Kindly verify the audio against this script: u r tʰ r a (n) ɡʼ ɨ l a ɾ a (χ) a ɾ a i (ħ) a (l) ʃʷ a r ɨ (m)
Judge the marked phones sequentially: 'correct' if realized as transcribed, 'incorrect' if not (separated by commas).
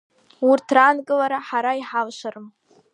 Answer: correct, incorrect, correct, correct, correct